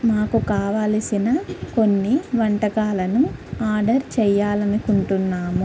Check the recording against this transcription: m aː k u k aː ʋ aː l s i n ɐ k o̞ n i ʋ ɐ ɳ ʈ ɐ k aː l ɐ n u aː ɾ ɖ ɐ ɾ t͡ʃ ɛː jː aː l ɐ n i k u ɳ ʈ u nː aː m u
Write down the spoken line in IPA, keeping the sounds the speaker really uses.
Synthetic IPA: m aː k u k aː ʋ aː l s i n ɐ k o̞ nː i ʋ ɐ ɳ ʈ ɐ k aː l ɐ n u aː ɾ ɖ ɐ ɾ t͡ʃ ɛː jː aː l ɐ n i k u ɳ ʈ u nː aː m u

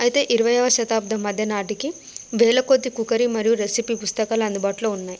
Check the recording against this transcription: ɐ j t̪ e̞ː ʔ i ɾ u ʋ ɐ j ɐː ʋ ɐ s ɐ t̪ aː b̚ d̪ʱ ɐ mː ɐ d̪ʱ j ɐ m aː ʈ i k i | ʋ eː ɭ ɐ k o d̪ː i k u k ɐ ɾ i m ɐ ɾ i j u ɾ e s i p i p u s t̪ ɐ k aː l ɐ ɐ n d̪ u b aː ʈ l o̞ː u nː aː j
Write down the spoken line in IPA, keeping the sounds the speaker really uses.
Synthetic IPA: ɐ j t̪ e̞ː ʔ i ɾ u ʋ ɐ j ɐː ʋ ɐ ʃ ɐ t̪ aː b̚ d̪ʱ ɐ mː ɐ d̪ʱ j ɐ n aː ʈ i k i | ʋ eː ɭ ɐ k o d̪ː i k u k ɐ ɾ i m ɐ ɾ i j u ɾ e s i p i p u s t̪ ɐ k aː l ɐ ɐ n d̪ u b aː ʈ l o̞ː u nː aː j

